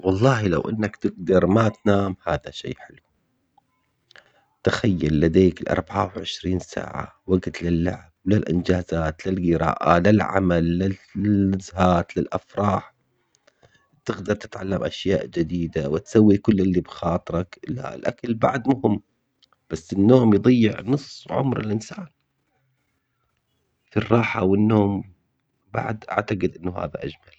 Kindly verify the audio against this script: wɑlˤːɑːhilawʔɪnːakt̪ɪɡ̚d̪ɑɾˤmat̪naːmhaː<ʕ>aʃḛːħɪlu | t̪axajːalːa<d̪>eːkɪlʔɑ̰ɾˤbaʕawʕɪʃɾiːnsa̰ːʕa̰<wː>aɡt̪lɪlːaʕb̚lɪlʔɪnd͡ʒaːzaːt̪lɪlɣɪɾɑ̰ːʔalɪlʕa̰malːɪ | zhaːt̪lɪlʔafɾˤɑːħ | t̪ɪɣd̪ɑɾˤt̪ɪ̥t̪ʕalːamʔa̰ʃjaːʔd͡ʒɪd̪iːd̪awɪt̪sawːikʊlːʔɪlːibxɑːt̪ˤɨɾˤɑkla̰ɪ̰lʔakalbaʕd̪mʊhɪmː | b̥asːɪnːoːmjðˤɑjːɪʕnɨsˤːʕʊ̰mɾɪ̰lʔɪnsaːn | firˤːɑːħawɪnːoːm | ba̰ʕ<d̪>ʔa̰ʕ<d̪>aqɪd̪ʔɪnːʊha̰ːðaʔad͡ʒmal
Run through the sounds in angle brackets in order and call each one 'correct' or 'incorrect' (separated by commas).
incorrect, correct, incorrect, correct, incorrect